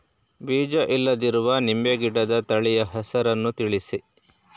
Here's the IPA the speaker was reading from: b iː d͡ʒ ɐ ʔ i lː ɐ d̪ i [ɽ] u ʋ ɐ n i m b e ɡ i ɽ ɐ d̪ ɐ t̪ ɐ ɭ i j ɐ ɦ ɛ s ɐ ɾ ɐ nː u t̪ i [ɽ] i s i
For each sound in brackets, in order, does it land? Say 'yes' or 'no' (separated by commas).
no, no